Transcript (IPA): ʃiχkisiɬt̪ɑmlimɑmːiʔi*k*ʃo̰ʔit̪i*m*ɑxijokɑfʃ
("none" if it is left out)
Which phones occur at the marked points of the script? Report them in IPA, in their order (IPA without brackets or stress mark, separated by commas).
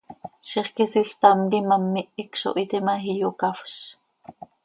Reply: k, m